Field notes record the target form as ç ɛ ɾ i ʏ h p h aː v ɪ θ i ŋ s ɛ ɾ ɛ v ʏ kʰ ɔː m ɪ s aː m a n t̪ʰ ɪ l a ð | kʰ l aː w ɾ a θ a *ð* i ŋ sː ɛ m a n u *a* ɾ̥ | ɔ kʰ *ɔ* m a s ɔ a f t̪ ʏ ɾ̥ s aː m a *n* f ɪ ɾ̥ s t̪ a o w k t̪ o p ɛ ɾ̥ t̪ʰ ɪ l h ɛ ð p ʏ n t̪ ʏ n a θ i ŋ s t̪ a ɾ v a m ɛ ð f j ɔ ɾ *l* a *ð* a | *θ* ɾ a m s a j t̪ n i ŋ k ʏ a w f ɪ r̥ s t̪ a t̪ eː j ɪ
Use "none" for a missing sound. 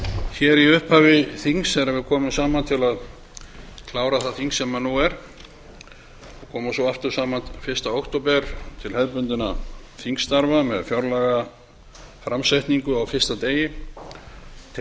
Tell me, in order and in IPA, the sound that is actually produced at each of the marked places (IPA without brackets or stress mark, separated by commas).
θ, ɛ, ɔː, n, l, ɣ, f